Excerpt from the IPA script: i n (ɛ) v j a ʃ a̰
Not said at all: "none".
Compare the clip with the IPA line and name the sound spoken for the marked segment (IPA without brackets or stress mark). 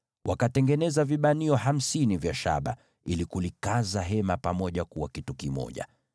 i